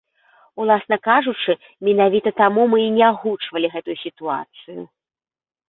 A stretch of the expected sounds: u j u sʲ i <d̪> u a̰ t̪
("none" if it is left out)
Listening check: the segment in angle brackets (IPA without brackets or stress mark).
t̪